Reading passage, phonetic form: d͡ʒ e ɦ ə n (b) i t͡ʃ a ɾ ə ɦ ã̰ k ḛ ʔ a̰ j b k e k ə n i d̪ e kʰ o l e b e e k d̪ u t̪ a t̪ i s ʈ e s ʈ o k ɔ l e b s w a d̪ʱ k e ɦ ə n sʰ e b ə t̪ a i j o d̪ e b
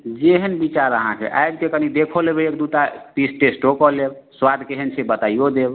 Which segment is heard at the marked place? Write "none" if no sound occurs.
b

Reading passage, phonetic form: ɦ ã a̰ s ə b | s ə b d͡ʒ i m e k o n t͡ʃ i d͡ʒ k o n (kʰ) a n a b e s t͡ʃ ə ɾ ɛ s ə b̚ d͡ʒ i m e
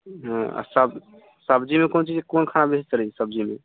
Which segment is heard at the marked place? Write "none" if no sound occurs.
kʰ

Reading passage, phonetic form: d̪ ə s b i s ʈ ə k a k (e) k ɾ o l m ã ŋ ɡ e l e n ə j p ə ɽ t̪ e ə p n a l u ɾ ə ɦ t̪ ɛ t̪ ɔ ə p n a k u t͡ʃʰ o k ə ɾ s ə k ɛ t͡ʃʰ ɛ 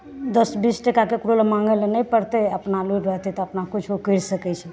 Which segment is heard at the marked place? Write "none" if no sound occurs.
e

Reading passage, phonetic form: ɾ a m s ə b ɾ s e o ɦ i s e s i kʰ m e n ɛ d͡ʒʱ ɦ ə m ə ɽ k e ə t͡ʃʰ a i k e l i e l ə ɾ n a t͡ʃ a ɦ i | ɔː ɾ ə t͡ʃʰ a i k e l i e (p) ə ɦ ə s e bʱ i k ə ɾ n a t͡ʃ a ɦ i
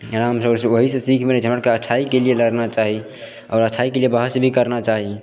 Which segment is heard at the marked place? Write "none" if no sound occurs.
b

